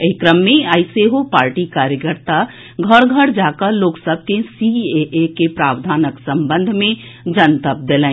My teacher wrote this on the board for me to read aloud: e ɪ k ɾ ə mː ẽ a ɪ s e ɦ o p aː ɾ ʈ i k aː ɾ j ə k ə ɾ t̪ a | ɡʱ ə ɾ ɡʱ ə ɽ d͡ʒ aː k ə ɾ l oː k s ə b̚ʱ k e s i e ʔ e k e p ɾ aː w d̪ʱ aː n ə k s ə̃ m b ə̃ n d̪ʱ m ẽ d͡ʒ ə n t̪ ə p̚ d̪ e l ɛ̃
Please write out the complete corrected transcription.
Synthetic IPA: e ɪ k ɾ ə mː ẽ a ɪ s e ɦ o p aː ɾ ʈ i k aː ɾ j ə k ə ɾ t̪ a | ɡʱ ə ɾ ɡʱ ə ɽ d͡ʒ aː k ə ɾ l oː k s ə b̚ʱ k e s i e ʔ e k e p ɾ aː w d̪ʱ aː n ə k s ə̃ m b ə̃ n d̪ʱ m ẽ d͡ʒ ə n t̪ ə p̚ d̪ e l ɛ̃

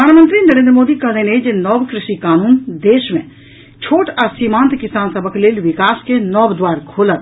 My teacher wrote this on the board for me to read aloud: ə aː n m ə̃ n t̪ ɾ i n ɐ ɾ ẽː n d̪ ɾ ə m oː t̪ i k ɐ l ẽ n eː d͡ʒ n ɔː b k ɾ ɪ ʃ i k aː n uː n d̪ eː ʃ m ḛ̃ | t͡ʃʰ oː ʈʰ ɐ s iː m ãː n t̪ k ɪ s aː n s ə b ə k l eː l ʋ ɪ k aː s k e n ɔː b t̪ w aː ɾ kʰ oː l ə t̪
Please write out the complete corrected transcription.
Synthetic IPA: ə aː n m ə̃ n t̪ ɾ i n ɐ ɾ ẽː n d̪ ɾ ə m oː d̪ i k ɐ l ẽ n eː d͡ʒ n ɔː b k ɾ ɪ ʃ i k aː n uː n d̪ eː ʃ m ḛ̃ | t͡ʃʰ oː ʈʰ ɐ s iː m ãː n t̪ k ɪ s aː n s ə b ə k l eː l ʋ ɪ k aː s k e n ɔː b d̪ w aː ɾ kʰ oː l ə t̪

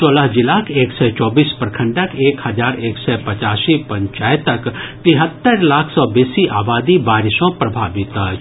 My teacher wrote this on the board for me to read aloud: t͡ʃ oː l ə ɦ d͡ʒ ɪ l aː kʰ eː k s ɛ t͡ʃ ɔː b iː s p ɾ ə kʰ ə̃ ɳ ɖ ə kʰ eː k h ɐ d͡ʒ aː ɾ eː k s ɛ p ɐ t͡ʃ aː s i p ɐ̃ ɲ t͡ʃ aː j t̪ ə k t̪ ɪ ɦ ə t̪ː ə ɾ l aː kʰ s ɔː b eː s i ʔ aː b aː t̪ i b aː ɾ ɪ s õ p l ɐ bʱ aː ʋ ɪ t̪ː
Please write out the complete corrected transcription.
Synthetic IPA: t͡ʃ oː l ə ɦ d͡ʒ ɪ l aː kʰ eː k s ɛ t͡ʃ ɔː b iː s p ɾ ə kʰ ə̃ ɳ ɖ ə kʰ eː k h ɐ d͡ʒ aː ɾ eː k s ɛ p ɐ t͡ʃ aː s i p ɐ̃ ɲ t͡ʃ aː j t̪ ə k t̪ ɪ ɦ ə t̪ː ə ɾ l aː kʰ s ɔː b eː s i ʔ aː b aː d̪ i b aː ɾ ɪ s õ p ɾ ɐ bʱ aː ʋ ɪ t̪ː

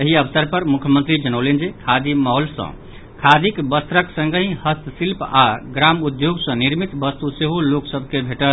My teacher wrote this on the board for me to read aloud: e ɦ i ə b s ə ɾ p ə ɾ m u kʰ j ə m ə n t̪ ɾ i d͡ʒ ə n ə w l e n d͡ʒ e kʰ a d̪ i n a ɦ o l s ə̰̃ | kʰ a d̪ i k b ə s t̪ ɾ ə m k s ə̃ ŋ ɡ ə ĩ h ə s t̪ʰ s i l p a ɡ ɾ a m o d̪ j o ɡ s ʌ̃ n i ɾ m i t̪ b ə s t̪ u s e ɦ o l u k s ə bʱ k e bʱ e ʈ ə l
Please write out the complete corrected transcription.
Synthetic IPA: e ɦ i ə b s ə ɾ p ə ɾ m u kʰ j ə m ə n t̪ ɾ i d͡ʒ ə n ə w l e n d͡ʒ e kʰ a d̪ i m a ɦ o l s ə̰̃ | kʰ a d̪ i k b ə s t̪ ɾ ə k s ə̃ ŋ ɡ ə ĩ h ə s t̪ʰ s i l p a ɡ ɾ a m u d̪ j o ɡ s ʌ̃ n i ɾ m i t̪ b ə s t̪ u s e ɦ o l o k s ə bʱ k e bʱ e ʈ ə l

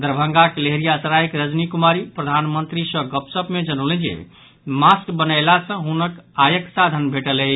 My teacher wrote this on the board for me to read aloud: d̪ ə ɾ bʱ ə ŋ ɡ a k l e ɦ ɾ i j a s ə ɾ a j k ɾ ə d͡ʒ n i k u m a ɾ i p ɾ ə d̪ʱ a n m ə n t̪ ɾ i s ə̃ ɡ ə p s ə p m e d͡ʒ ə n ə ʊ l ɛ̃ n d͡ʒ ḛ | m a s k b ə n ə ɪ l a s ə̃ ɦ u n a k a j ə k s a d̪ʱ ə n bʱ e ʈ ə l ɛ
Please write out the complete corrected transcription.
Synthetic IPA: d̪ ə ɾ bʱ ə ŋ ɡ a k l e ɦ ɾ i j a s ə ɾ a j k ɾ ə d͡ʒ n i k u m a ɾ i p ɾ ə d̪ʱ a n m ə n t̪ ɾ i s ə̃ ɡ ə p s ə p m e d͡ʒ ə n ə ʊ l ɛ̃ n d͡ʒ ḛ | m a s k b ə n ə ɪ l a s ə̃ ɦ u n ə k a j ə k s a d̪ʱ ə n bʱ e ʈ ə l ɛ

